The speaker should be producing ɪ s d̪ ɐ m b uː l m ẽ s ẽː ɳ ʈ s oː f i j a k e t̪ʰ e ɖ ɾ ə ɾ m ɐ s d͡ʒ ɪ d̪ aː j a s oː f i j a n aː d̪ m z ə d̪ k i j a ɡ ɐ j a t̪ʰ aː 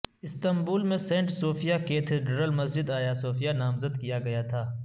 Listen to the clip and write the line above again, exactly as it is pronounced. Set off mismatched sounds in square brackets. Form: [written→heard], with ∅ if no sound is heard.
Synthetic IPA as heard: ɪ s [d̪→t̪] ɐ m b uː l m ẽ s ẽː ɳ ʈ s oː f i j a k e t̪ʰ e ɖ ɾ ə [ɾ→l] m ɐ s d͡ʒ ɪ d̪ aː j a s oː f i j a n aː [d̪→∅] m z ə d̪ k i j a ɡ ɐ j a t̪ʰ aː